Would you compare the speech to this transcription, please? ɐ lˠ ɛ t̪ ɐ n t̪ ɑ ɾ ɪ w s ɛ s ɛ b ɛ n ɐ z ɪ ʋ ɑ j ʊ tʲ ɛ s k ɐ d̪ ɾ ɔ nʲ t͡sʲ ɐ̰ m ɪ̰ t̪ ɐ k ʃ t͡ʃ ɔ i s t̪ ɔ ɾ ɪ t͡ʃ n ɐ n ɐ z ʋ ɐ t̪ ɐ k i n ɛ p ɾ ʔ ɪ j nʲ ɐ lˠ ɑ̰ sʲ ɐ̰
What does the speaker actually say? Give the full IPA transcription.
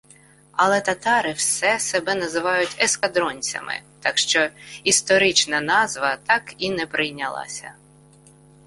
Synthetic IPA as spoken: ɐ lˠ ɛ t̪ ɐ t̪ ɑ ɾ ɪ w s ɛ s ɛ b ɛ n ɐ z ɪ ʋ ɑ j ʊ tʲ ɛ s k ɐ d̪ ɾ ɔ nʲ t͡sʲ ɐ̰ m ɪ̰ t̪ ɑ k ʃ t͡ʃ ɔ i s t̪ ɔ ɾ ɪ t͡ʃ n ɐ n ɑ z ʋ ɐ t̪ ɑ k i n ɛ p ɾ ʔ ɪ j nʲ ɐ lˠ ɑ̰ sʲ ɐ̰